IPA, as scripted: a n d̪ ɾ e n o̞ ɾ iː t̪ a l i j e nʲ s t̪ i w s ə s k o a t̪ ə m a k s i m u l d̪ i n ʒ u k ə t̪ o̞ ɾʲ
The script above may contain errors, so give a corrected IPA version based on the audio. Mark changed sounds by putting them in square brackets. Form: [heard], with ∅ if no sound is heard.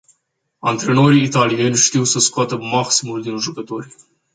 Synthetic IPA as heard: a n [t̪] ɾ e n o̞ ɾ iː t̪ a l i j e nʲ [ʃ] t̪ i w s ə s k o a t̪ ə m a k s i m u l d̪ i n ʒ u k ə t̪ o̞ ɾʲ

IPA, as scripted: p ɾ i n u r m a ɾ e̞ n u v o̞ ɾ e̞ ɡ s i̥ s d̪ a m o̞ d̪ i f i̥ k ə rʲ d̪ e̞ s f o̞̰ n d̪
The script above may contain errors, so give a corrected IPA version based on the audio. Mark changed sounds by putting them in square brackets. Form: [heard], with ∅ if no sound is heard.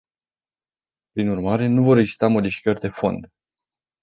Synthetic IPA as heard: p ɾ i n u r m a ɾ e̞ n u v o̞ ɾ e̞ ɡ [z] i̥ s [t̪] a m o̞ d̪ i f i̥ k ə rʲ d̪ e̞ [∅] f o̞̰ n d̪

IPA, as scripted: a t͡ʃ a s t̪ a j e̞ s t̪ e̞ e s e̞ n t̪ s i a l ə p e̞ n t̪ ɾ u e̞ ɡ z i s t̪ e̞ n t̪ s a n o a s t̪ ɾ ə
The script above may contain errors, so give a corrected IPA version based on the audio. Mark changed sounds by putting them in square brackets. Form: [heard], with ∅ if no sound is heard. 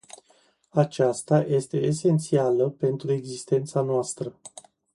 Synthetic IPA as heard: a t͡ʃ a s t̪ a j e̞ s t̪ e̞ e s e̞ n t̪ s i a l ə p e̞ n t̪ ɾ u e̞ ɡ z i s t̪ e̞ n t̪ s a n o a s t̪ ɾ ə

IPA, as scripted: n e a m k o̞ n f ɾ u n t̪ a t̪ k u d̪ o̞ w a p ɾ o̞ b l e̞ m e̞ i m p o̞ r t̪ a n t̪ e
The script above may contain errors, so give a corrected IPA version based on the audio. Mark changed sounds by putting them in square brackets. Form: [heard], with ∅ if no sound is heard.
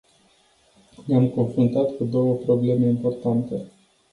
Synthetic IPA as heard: n e a m k o̞ n f ɾ u n t̪ a t̪ k u d̪ o̞ w [ə] p ɾ o̞ b l e̞ m e̞ i m p o̞ r t̪ a n t̪ e

